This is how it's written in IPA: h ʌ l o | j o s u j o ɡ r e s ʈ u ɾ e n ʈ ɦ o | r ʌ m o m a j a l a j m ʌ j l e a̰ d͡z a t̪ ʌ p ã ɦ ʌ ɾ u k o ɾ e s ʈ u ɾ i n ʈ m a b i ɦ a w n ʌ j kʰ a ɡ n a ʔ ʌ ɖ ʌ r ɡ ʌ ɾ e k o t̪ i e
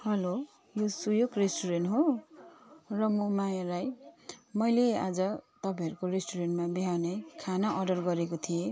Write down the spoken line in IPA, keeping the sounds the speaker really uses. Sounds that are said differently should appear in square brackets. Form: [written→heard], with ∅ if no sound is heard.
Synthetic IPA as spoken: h ʌ l o | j o s u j o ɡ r e s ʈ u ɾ e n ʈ ɦ o | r ʌ m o m a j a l a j m ʌ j l e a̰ d͡z [a→ʌ] t̪ ʌ p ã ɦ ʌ ɾ u k o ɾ e s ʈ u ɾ [i→e] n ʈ m a b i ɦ a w n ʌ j kʰ a [ɡ→∅] n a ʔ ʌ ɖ ʌ r ɡ ʌ ɾ e k o [t̪→t̪ʰ] i e